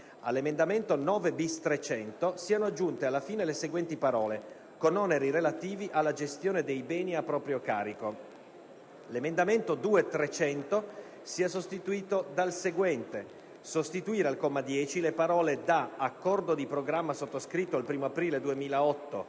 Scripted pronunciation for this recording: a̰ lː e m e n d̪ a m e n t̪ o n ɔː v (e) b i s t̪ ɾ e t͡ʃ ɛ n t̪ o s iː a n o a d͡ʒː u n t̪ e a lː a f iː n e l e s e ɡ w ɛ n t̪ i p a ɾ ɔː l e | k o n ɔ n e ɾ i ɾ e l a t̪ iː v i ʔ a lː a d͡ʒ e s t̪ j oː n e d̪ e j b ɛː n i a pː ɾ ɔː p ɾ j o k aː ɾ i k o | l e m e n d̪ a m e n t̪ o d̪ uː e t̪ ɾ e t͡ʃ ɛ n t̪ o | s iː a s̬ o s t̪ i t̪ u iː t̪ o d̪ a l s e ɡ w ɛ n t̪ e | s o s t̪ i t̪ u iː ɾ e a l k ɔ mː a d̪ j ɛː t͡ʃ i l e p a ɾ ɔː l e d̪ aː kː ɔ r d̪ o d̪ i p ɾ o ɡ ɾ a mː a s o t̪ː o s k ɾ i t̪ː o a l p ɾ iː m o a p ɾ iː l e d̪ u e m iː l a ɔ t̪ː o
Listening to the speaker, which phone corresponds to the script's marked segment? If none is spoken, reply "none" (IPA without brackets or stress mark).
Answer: e